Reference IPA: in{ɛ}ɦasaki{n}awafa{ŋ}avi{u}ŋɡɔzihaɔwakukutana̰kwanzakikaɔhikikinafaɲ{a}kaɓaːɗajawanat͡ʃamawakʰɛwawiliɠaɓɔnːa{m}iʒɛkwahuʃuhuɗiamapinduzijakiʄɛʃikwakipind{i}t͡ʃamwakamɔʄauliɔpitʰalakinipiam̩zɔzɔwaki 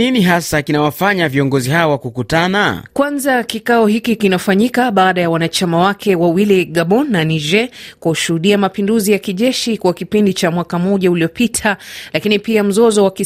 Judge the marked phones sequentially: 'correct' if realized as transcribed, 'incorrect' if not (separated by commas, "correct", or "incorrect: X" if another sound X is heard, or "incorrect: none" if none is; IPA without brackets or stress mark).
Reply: incorrect: i, correct, incorrect: ɲ, incorrect: ɔ, incorrect: i, incorrect: n, correct